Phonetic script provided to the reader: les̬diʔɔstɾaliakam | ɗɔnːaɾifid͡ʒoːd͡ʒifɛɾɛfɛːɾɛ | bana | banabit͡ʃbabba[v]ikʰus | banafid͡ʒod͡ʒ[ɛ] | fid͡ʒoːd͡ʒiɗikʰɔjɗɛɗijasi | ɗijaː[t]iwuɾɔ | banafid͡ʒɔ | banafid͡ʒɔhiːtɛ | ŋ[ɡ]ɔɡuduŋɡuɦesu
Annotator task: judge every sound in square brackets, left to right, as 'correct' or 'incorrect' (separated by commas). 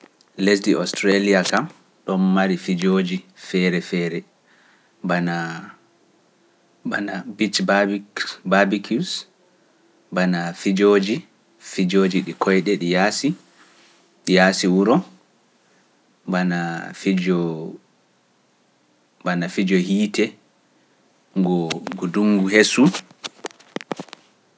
incorrect, incorrect, incorrect, correct